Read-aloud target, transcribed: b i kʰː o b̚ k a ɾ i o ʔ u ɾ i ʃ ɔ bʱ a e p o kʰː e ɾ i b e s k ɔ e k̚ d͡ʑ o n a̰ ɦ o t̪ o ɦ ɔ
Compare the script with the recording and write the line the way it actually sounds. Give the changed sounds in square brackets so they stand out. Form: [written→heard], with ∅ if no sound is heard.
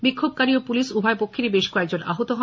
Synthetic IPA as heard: b i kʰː o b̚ k a ɾ i o [ʔ→p] u [ɾ→l] i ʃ [ɔ→u] bʱ a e p o kʰː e ɾ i b e [s→ʃ] k ɔ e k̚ d͡ʑ o n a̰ ɦ o t̪ o ɦ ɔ